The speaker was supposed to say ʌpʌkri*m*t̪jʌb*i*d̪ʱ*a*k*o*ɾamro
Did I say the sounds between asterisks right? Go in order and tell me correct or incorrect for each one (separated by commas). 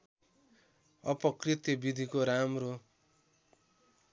incorrect, correct, incorrect, correct